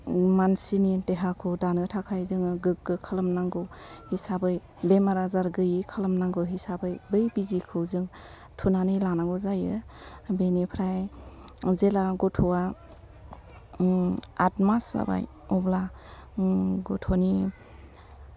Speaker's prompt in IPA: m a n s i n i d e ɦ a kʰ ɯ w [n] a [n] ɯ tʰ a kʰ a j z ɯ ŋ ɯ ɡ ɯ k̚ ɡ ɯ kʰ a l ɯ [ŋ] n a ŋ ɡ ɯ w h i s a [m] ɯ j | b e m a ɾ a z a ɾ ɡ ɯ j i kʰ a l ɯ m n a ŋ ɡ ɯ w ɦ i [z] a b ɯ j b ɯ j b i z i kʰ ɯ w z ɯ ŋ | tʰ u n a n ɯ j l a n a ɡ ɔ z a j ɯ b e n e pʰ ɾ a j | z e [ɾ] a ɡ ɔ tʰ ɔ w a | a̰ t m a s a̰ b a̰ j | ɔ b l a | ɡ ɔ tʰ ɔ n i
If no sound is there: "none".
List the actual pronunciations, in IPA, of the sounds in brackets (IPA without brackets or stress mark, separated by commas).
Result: d, n, m, b, s, l